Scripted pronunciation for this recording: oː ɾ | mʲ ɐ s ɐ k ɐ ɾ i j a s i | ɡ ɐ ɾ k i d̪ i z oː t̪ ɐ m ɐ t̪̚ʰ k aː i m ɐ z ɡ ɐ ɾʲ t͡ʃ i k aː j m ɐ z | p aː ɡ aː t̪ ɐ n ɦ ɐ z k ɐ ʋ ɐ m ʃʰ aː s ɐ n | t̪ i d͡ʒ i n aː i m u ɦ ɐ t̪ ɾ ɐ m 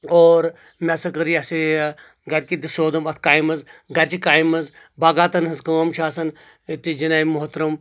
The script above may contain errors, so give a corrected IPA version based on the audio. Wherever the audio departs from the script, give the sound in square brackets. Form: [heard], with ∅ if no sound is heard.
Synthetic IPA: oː ɾ | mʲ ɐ s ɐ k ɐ ɾ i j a s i | ɡ ɐ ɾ k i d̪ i [s] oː [d̪] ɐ m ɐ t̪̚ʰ k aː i m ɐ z ɡ ɐ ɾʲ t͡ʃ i k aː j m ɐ z | [b] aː ɡ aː t̪ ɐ n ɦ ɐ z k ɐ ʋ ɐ m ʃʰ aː s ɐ n | t̪ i d͡ʒ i n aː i m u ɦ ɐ t̪ ɾ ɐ m